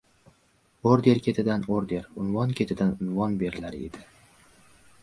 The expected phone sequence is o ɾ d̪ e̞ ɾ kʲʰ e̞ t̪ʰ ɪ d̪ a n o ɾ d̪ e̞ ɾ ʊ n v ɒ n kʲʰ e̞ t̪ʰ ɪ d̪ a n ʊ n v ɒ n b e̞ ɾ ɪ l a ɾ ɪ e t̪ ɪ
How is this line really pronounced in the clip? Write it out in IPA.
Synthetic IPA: o ɾ d̪ e̞ ɾ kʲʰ e̞ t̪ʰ ɪ d̪ a n o ɾ d̪ e̞ ɾ ʊ n v ɒ n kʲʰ e̞ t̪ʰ ɪ d̪ a n ʊ n v ɒ n b e̞ ɾ ɪ l a ɾ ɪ e d̪ ɪ